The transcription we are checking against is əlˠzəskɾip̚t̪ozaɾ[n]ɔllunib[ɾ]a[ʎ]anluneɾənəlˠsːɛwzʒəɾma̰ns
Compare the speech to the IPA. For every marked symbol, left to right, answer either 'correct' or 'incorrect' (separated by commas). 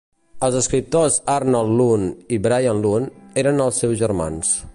correct, correct, incorrect